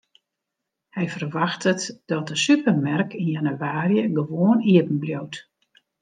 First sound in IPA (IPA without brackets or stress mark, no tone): h